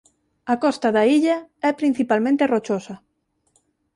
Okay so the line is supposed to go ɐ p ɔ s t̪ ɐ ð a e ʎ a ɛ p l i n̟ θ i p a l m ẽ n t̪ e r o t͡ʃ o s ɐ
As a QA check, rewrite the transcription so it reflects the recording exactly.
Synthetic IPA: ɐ k ɔ s t̪ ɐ ð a i ʎ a ɛ p ɾ i n̟ θ i p a l m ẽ n t̪ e r o t͡ʃ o s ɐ